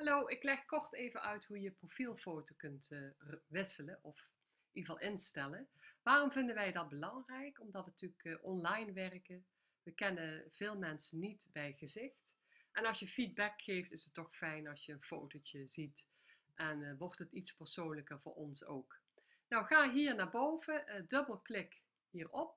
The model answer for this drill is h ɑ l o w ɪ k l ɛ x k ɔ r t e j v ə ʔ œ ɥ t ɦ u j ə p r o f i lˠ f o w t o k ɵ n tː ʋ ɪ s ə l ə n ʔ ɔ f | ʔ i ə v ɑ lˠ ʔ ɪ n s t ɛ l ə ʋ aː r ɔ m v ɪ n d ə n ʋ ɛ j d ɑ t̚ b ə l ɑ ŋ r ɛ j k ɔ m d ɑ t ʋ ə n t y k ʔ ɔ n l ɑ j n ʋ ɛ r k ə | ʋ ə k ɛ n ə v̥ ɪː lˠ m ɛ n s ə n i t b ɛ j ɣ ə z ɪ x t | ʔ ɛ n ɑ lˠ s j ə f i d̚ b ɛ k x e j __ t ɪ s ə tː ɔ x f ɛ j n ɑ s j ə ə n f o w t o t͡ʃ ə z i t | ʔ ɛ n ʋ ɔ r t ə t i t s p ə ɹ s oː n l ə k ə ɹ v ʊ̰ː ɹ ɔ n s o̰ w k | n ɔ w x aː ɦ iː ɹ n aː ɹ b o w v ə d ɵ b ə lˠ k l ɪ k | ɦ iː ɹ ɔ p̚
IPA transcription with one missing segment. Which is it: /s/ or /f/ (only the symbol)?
f